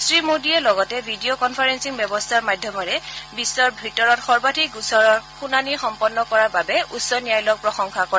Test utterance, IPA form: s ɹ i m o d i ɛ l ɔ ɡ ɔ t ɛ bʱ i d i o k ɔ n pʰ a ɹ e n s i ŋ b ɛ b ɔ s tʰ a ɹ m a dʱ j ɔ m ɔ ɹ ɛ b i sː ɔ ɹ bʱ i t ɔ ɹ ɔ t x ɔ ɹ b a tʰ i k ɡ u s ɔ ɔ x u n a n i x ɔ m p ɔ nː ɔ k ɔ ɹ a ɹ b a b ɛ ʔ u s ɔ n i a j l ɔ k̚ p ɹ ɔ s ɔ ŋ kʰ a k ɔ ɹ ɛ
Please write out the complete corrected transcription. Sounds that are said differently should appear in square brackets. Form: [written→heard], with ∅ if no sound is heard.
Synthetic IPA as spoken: s ɹ i m o d i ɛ l ɔ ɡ ɔ t ɛ bʱ i d i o k ɔ n pʰ a ɹ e n s i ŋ b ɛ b ɔ s tʰ a ɹ m a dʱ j ɔ m ɔ ɹ ɛ b i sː ɔ ɹ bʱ i t ɔ ɹ ɔ t x ɔ ɹ b a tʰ i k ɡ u s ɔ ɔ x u n a n i x ɔ m p ɔ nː ɔ k ɔ ɹ a ɹ b a b ɛ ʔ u s ɔ n i a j l ɔ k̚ p ɹ ɔ [s→x] ɔ ŋ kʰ a k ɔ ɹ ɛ